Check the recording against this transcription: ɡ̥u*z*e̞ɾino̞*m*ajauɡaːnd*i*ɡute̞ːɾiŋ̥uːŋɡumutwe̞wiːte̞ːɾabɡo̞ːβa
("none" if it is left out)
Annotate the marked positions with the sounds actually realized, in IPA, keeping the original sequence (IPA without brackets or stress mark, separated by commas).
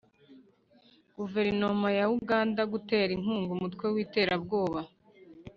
v, m, a